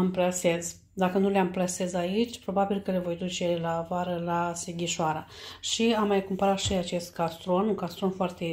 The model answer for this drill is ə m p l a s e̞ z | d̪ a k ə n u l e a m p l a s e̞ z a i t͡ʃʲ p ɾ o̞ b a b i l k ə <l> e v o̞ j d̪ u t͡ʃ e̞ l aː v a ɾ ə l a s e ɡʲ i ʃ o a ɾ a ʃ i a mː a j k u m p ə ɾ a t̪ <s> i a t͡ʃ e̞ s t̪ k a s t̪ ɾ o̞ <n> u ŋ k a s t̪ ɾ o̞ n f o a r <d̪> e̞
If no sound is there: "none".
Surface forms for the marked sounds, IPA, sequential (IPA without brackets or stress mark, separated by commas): l, ʃ, n, t̪